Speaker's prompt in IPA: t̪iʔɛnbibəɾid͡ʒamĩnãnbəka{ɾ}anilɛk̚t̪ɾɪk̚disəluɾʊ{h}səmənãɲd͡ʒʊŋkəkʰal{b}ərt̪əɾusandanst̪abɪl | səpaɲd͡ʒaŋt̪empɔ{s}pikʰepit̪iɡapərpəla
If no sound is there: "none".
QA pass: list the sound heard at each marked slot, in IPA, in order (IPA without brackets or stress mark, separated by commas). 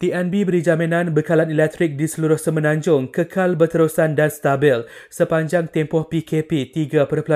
l, h, b, h